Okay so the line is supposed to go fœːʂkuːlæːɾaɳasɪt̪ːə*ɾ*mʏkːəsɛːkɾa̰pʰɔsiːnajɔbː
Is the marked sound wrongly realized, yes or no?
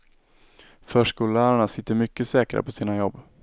no